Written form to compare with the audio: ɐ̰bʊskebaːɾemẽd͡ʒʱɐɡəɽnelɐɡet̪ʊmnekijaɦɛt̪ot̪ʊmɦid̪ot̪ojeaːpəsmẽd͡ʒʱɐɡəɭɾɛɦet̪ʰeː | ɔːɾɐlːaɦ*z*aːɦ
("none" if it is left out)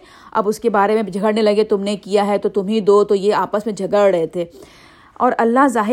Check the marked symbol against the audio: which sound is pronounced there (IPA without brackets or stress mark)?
z